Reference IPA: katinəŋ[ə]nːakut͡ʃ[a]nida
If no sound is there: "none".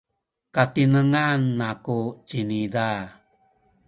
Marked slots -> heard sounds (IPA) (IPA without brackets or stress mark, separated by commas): a, i